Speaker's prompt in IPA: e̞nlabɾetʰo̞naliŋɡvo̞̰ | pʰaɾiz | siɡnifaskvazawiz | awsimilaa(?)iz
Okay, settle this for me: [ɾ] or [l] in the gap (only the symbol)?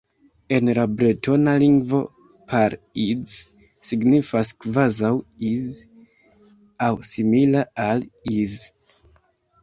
l